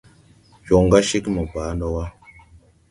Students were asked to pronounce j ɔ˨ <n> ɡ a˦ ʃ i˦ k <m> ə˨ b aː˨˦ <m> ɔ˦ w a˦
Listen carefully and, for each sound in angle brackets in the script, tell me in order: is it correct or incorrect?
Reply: incorrect: ŋ, correct, incorrect: n

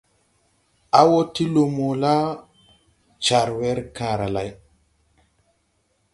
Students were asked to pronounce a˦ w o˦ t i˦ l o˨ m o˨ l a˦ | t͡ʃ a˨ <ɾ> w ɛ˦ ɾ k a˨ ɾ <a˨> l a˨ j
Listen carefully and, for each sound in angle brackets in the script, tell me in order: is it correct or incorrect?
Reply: correct, correct

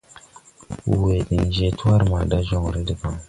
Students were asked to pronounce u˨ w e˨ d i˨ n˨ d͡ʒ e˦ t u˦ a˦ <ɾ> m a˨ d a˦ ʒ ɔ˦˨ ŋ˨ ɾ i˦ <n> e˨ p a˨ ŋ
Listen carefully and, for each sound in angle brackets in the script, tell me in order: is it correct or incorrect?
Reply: correct, incorrect: d

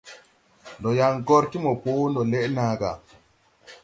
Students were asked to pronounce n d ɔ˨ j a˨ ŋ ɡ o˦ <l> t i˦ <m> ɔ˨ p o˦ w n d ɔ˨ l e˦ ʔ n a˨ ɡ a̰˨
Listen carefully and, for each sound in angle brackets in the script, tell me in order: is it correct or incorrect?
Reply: incorrect: ɾ, correct

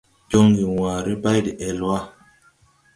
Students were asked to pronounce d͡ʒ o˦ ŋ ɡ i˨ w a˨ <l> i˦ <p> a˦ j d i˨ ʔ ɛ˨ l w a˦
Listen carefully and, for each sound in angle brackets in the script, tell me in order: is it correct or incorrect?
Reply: incorrect: ɾ, incorrect: b

